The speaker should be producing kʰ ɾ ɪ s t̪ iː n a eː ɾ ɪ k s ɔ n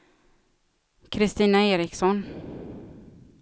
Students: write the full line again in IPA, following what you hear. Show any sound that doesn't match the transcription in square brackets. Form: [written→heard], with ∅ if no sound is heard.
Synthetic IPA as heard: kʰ ɾ ɪ s t̪ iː n a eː ɾ ɪ k s ɔ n